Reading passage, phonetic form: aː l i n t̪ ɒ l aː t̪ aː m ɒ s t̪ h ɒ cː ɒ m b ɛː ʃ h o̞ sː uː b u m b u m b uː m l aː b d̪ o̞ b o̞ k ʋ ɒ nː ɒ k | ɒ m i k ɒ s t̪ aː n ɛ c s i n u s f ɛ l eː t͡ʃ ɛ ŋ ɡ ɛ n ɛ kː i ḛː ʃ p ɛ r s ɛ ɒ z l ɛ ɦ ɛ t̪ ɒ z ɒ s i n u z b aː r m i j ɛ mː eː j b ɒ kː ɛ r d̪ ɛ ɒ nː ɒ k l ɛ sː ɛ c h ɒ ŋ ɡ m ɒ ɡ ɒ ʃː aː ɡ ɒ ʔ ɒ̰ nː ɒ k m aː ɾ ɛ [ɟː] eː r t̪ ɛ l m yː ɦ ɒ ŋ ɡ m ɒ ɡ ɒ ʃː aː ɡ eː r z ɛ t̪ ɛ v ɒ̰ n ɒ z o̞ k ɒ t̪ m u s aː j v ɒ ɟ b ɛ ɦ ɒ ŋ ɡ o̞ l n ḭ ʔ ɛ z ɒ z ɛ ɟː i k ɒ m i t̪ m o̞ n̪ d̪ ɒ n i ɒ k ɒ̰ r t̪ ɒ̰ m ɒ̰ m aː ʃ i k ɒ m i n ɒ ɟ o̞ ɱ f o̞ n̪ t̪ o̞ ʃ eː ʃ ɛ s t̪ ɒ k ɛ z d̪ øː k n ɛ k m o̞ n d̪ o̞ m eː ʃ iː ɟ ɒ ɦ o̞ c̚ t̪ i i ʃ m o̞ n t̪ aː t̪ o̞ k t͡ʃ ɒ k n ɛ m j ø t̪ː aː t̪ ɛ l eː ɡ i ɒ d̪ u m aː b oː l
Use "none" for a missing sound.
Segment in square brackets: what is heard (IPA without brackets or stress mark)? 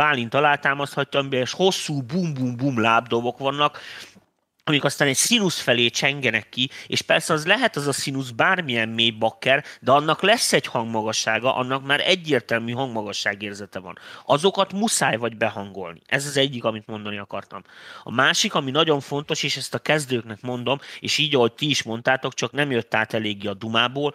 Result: ɟː